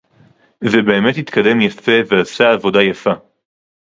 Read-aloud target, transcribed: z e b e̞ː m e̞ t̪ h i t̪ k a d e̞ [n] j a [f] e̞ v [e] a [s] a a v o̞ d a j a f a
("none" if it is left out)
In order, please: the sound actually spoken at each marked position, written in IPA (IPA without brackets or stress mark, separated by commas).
m, f, e, s